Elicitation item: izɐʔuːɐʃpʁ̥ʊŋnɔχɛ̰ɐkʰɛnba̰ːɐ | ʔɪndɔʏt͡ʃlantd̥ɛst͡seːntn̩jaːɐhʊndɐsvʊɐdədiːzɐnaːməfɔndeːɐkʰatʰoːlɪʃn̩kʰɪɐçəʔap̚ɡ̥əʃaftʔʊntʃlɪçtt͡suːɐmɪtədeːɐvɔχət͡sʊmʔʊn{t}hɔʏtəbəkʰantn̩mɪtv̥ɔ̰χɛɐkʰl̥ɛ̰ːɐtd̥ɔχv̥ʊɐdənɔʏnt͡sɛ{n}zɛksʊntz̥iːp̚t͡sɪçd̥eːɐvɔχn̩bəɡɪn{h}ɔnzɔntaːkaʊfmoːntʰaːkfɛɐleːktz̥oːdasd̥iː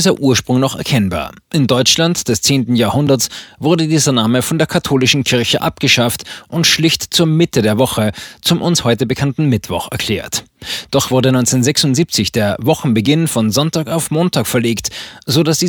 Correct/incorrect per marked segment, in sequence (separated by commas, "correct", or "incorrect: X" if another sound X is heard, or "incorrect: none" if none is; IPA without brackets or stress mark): incorrect: s, correct, incorrect: f